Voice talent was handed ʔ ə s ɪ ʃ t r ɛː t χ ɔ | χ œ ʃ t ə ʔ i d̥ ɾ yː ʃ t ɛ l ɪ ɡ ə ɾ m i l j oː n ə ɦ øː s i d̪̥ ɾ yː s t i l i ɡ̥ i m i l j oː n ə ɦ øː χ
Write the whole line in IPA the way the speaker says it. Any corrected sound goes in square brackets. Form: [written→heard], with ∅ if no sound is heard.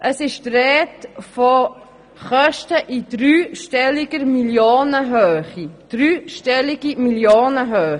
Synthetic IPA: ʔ ə s ɪ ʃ t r ɛː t [χ→f] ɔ | χ œ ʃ t ə ʔ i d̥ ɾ yː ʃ t ɛ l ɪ ɡ ə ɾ m i l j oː n ə ɦ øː [s→χ] i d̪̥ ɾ yː [s→ʃ] t [i→ɛ] l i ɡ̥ i m i l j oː n ə ɦ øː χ

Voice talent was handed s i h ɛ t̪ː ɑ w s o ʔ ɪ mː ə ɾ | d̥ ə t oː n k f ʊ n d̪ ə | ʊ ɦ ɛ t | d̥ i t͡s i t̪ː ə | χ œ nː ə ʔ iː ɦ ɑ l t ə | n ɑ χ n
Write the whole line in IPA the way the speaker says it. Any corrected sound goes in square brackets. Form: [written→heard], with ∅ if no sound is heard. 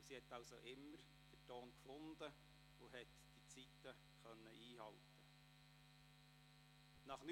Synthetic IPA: s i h ɛ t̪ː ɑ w s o ʔ ɪ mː ə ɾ | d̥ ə t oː n k f ʊ n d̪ ə | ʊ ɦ ɛ t | d̥ i t͡s i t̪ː ə | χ œ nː ə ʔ iː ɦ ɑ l t ə | n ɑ χ n

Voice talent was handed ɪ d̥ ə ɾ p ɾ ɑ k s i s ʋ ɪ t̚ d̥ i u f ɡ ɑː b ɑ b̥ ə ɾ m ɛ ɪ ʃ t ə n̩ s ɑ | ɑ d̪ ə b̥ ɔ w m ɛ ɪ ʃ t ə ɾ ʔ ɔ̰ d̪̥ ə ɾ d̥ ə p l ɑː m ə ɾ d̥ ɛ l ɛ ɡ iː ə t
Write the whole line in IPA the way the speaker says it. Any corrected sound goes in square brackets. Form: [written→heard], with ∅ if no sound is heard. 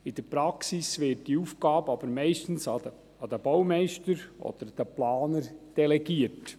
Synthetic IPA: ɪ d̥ ə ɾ p ɾ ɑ k s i s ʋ ɪ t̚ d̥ i u f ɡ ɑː b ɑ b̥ ə ɾ m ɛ ɪ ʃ t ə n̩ s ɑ | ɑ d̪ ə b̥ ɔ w m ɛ ɪ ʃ t ə ɾ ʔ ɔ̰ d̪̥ ə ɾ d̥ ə p l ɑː [m→n] ə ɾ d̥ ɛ l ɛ ɡ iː ə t

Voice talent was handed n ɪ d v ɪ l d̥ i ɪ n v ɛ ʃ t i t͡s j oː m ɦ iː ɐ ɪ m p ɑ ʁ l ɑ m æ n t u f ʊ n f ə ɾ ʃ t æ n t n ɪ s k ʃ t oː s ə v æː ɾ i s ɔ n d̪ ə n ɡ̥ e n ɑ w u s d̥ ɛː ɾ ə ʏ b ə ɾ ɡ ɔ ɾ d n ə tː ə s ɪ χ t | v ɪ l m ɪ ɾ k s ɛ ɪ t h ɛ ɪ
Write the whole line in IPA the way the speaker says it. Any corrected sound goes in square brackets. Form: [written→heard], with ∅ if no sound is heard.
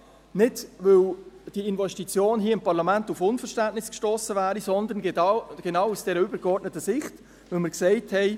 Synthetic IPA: n ɪ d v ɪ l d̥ i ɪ n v ɛ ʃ t i t͡s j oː [m→n] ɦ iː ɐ ɪ m p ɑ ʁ l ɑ m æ n t u f ʊ n f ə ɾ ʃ t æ n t n ɪ s k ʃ t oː s ə v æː ɾ i s ɔ n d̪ ə n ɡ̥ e n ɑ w u s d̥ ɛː ɾ ə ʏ b ə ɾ ɡ ɔ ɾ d n ə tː ə s ɪ χ t | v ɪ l m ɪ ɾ k s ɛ ɪ t h ɛ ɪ

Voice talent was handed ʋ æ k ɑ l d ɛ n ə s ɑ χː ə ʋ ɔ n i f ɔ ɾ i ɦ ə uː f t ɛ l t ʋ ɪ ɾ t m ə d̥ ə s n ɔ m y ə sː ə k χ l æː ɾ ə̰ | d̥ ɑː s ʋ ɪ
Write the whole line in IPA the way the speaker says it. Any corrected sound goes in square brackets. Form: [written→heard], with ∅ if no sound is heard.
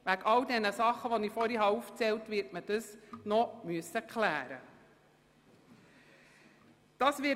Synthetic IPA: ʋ æ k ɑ l d ɛ n ə s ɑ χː ə ʋ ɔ n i f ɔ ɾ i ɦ [ə→ɑ] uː f [t→t͡s] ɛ l t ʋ ɪ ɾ t m ə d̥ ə s n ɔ m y ə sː ə k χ l æː ɾ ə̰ | d̥ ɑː s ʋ ɪ

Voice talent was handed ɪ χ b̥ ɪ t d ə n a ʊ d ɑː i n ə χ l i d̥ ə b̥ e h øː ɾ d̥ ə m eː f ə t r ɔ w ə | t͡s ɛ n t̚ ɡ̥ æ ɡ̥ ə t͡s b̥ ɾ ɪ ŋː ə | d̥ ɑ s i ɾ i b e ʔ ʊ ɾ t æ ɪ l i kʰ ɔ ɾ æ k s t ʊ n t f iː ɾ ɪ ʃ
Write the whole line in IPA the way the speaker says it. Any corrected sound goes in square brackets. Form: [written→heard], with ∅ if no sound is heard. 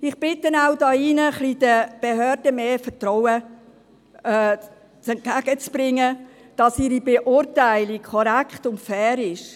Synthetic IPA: ɪ χ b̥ ɪ t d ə n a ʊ d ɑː i n ə χ l i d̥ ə b̥ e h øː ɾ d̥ ə m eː f ə t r ɔ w ə | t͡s ɛ n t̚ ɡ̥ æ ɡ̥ ə t͡s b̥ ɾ ɪ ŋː ə | d̥ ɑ s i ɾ i b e ʔ ʊ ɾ t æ ɪ l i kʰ ɔ ɾ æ k [s→χ] t ʊ n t f [iː→ɛː] ɾ ɪ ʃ

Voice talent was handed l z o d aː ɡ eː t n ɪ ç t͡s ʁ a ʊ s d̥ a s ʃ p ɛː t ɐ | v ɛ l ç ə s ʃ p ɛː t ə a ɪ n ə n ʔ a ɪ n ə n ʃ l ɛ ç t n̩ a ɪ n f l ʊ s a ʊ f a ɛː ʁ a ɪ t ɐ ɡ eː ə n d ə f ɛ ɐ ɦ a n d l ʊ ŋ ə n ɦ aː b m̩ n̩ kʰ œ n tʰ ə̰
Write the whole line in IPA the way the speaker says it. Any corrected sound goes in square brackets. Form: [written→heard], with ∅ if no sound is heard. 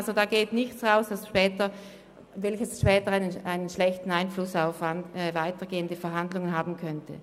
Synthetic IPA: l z o d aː ɡ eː t n ɪ ç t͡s ʁ a ʊ s d̥ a s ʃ p ɛː t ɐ | v ɛ l ç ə s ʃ p ɛː t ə a ɪ n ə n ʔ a ɪ n ə n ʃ l ɛ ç t n̩ a ɪ n f l ʊ s a ʊ f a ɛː [ʁ→v] a ɪ t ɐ ɡ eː ə n d ə f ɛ ɐ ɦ a n d l ʊ ŋ ə n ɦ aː b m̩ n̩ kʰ œ n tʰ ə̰

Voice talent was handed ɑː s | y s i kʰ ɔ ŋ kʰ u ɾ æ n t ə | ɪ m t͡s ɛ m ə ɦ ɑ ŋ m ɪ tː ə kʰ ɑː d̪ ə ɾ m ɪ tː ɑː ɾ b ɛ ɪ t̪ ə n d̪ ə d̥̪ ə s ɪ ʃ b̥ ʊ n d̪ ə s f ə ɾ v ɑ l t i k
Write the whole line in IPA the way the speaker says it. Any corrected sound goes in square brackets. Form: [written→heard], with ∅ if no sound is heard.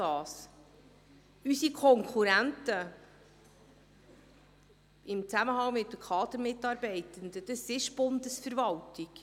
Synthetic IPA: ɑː s | y s i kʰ ɔ ŋ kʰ u ɾ æ n t ə | ɪ m t͡s [ɛ→æ] m ə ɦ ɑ ŋ m ɪ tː ə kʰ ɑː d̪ ə ɾ m ɪ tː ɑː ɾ b ɛ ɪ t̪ ə n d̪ ə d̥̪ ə s ɪ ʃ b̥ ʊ n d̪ ə s f ə ɾ v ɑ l t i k

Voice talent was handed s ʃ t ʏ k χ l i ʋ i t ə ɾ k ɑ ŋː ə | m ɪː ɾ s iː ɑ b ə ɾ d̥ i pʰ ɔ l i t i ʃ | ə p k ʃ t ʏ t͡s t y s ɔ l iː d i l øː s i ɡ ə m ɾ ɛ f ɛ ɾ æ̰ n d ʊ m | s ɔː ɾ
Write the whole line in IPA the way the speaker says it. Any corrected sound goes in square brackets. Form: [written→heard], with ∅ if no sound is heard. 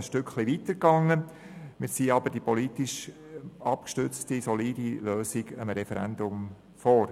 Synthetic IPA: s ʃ t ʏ k χ l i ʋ i t ə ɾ k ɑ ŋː ə | m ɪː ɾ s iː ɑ b ə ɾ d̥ i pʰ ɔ l i t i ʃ | [ə→ɑ] p k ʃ t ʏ t͡s t [y→i] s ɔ l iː d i l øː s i ɡ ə m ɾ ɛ f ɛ ɾ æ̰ n d ʊ m | [s→f] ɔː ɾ

